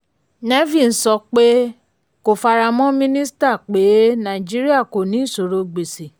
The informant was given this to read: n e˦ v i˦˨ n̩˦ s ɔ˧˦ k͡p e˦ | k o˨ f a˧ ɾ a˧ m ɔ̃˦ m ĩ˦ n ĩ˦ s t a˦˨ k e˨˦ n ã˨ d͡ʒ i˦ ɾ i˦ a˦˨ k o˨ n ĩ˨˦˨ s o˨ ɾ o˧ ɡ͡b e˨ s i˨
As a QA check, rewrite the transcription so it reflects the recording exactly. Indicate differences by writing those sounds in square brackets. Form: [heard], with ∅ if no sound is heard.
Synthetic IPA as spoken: n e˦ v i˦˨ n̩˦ s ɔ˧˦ k͡p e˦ | k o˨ f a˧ ɾ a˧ m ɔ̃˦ m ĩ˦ n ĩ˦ s t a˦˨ [k͡p] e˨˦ n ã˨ d͡ʒ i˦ ɾ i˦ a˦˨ k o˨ n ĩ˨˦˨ s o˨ ɾ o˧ ɡ͡b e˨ s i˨